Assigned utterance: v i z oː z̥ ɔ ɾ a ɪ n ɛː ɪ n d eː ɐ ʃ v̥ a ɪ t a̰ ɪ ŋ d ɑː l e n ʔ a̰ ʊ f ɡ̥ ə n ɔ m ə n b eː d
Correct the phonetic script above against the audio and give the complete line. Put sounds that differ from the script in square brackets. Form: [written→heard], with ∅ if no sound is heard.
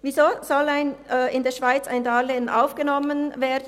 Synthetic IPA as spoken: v i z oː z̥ ɔ [ɾ→l] a ɪ n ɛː ɪ n d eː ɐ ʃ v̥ a ɪ [t→t͡s] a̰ ɪ [ŋ→n] d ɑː l e n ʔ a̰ ʊ f ɡ̥ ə n ɔ m ə n [b→v] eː d